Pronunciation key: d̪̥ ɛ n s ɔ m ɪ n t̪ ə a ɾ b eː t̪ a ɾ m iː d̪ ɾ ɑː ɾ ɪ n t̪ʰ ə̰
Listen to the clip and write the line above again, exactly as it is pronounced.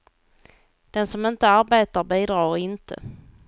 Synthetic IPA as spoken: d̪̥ ɛ n s ɔ m ɪ n t̪ ə a ɾ b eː t̪ a ɾ b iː d̪ ɾ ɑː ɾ ɪ n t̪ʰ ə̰